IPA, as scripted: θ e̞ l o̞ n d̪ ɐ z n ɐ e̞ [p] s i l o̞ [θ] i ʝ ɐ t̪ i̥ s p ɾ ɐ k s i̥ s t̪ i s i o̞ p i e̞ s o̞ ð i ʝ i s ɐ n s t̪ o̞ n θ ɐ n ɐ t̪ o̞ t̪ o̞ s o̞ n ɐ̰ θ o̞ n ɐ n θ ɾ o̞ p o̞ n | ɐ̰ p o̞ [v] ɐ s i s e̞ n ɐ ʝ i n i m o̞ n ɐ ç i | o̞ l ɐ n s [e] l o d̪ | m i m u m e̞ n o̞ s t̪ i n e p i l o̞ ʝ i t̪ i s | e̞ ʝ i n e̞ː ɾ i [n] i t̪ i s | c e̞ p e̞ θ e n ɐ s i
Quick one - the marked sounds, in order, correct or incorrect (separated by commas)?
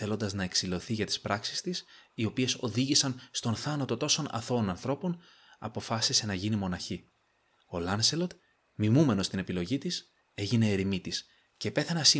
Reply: incorrect, correct, incorrect, correct, incorrect